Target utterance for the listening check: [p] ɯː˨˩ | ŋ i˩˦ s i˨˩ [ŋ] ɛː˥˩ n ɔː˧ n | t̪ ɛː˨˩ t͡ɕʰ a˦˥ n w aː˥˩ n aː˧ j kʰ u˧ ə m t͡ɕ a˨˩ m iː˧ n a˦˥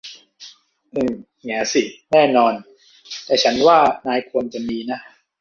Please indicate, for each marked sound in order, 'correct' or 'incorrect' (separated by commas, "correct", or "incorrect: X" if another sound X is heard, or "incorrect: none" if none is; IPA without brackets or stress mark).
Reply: incorrect: ʔ, incorrect: n